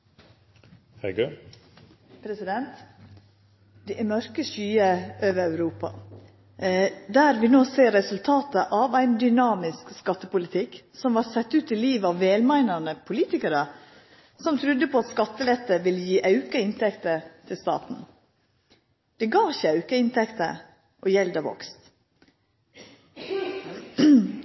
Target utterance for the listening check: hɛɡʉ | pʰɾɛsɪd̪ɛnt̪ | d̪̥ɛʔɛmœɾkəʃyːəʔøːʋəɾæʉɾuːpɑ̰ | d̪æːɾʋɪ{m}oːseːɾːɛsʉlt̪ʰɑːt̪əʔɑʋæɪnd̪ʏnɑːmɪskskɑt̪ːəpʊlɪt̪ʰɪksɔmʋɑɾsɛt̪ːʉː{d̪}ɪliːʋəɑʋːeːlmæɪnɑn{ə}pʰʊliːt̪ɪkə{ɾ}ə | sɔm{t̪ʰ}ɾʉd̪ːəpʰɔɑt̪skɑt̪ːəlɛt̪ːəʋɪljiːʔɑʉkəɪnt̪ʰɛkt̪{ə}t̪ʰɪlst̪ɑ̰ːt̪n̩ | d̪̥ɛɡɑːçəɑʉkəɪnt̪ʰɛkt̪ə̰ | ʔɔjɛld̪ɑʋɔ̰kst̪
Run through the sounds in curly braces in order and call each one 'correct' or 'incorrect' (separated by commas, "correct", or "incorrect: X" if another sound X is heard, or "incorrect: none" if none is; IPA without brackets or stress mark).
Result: incorrect: n, incorrect: t̪, correct, correct, correct, correct